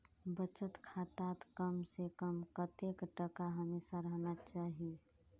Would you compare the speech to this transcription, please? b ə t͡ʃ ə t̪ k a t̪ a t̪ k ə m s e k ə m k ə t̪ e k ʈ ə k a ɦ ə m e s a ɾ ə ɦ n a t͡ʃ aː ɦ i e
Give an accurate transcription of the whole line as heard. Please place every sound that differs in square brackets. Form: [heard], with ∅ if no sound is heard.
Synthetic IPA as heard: b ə t͡ʃ ə t̪ [kʰ] a t̪ a t̪ k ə m s e k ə m k ə t̪ e k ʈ ə k a ɦ ə m e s a ɾ ə ɦ n a t͡ʃ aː ɦ i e